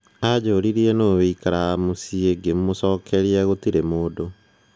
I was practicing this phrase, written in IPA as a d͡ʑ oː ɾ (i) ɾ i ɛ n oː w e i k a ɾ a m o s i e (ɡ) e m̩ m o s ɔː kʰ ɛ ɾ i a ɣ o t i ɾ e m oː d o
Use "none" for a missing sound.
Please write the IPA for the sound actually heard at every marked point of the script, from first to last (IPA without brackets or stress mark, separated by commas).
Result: i, ɡ